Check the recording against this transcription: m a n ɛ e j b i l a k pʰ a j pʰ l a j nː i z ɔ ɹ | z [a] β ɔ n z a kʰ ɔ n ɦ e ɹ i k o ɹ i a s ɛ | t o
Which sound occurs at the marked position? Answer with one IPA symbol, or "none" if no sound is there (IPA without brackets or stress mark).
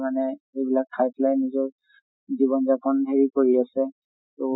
i